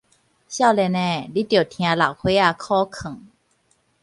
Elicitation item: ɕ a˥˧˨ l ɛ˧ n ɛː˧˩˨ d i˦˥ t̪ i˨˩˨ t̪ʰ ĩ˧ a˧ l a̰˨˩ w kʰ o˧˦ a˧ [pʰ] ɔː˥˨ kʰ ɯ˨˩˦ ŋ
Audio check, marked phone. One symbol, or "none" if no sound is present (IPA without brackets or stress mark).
kʰ